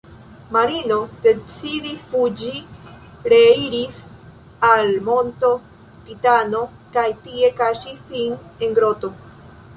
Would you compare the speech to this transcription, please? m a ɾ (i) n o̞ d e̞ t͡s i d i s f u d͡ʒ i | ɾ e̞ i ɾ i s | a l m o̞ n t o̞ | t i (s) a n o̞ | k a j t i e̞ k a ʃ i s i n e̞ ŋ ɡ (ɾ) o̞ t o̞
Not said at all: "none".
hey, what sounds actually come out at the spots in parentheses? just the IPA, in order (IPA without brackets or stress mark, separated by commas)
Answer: i, t, ɾ